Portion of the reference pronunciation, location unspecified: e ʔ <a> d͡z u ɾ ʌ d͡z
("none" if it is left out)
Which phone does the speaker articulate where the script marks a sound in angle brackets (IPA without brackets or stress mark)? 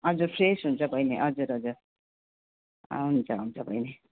ʌ